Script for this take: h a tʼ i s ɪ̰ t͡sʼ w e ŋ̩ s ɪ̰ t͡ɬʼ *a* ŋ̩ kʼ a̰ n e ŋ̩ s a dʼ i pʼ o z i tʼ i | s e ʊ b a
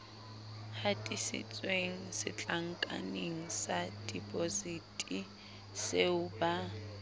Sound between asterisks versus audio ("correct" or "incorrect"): correct